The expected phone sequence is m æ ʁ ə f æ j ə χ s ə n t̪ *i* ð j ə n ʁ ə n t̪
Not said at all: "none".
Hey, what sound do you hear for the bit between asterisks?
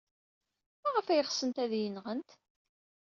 æ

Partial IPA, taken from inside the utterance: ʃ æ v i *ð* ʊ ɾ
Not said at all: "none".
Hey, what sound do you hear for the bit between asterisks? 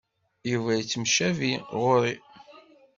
ʁ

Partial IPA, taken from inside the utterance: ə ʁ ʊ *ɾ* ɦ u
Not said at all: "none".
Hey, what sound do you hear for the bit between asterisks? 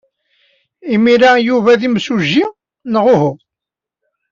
none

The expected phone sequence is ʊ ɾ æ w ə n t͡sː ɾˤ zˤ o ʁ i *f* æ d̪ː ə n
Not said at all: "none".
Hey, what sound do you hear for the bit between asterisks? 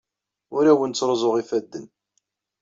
f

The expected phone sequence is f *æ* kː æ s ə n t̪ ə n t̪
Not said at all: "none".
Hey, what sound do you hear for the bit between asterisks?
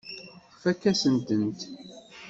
æ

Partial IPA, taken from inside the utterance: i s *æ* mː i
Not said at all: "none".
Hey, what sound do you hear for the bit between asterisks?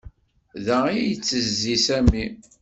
æ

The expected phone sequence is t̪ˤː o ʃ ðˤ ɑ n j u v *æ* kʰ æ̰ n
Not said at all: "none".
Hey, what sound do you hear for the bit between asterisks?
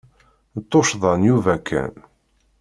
æ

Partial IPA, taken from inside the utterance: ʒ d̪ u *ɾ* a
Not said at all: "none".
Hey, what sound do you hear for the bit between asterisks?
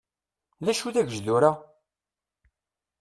ɾ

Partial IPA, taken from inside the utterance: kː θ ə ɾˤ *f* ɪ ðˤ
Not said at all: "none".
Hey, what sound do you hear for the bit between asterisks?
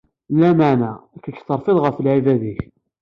f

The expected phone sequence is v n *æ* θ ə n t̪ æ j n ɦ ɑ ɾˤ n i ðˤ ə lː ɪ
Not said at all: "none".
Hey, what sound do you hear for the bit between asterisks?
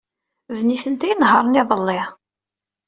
i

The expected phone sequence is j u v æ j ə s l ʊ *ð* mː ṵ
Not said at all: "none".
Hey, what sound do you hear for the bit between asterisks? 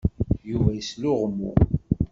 ʁ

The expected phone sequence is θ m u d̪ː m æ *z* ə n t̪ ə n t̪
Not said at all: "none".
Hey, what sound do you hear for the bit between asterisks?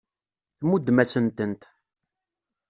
s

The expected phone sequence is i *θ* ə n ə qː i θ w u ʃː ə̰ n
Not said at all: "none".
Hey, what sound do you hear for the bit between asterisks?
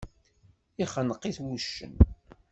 χ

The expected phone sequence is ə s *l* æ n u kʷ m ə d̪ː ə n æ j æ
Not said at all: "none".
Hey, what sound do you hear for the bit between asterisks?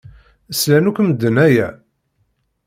l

